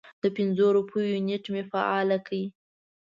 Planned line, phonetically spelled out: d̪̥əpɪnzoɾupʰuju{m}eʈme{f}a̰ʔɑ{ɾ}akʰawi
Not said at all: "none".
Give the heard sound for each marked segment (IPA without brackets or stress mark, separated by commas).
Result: n, f, l